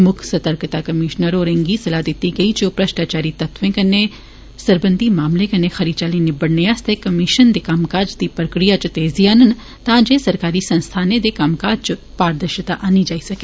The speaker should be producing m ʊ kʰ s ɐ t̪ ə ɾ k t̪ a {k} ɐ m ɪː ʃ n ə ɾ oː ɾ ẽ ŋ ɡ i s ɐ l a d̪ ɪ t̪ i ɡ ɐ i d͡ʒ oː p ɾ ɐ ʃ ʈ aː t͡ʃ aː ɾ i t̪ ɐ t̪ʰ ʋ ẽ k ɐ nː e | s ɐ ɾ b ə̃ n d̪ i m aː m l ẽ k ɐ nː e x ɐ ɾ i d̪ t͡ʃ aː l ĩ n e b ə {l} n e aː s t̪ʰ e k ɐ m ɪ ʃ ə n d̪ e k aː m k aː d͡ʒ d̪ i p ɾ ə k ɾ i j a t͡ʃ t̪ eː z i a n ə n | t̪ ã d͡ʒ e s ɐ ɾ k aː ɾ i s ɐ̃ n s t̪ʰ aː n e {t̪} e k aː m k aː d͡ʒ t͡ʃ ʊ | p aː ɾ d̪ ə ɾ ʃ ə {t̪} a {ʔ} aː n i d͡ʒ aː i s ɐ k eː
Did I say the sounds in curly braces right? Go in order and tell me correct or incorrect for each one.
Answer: correct, incorrect: ɽ, incorrect: d̪, correct, correct

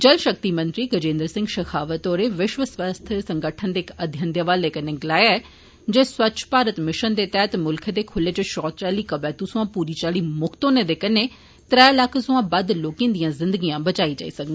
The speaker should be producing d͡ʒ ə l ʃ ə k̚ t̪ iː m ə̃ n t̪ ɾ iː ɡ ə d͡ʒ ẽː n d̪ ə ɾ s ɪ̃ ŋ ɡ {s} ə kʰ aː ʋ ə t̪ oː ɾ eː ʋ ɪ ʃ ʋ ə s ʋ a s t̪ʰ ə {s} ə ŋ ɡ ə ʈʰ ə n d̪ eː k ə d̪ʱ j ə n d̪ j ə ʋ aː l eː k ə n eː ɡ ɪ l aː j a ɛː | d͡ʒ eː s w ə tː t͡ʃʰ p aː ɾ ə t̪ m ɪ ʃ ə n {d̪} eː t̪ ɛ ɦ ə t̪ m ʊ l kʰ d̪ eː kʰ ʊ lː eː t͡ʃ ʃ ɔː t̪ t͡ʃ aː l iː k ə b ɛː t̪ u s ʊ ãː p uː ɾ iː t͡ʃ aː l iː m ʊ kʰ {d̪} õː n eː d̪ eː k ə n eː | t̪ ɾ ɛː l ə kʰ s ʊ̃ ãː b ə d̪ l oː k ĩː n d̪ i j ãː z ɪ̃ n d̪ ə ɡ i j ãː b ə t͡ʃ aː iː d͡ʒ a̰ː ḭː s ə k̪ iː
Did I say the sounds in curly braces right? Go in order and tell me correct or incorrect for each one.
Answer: incorrect: ʃ, correct, correct, incorrect: t̪

